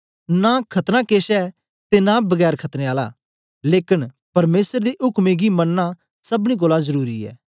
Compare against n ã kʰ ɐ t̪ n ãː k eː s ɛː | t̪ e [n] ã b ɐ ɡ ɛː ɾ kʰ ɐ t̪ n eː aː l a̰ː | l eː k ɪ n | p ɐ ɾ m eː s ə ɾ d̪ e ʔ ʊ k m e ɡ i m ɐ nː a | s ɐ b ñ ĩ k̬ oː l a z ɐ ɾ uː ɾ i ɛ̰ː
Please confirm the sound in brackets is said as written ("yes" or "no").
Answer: yes